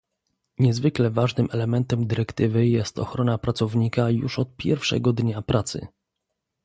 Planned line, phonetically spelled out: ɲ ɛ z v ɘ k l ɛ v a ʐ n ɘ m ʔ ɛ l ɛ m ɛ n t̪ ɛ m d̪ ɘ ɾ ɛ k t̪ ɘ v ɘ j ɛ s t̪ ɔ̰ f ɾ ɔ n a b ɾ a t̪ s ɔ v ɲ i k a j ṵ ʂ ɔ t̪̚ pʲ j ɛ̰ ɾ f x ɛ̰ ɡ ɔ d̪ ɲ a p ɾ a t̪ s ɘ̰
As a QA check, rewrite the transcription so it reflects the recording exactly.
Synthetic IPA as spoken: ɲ ɛ z v ɘ k l ɛ v a ʐ n ɘ m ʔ ɛ l ɛ m ɛ n t̪ ɛ m d̪ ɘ ɾ ɛ k t̪ ɘ v ɘ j ɛ s t̪ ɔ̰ x ɾ ɔ n a p ɾ a t̪ s ɔ v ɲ i k a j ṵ ʂ ɔ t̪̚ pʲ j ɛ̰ ɾ f ʂ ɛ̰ ɡ ɔ d̪ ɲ a p ɾ a t̪ s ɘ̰